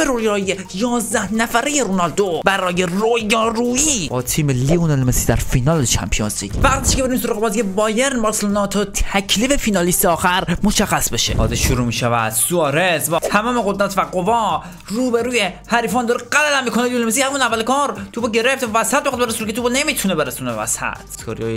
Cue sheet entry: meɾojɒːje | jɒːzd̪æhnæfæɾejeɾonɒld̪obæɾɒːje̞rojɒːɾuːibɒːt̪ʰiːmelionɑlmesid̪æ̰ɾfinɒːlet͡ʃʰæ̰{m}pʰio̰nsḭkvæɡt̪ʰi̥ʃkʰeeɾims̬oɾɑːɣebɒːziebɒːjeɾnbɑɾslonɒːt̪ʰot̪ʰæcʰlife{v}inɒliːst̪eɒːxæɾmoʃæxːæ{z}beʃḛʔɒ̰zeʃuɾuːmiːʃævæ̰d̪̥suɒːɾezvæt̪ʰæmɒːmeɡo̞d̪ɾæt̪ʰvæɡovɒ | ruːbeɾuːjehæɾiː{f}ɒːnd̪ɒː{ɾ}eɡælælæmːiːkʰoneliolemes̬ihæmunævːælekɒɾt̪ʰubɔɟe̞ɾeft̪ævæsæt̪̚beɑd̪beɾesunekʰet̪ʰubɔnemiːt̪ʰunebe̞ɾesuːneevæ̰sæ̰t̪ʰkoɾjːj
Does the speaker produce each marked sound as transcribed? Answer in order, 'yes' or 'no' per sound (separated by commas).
yes, no, no, yes, yes